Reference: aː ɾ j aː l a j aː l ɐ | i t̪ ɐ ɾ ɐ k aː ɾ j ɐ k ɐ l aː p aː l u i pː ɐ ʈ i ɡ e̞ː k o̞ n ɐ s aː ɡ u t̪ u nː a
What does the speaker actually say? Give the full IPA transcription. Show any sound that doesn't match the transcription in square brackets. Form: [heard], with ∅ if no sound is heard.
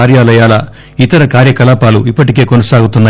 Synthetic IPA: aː ɾ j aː l [ɐ] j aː l ɐ | i t̪ ɐ ɾ ɐ k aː ɾ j ɐ k ɐ l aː p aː l u i pː ɐ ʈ i [k] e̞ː k o̞ n ɐ s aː ɡ u t̪ u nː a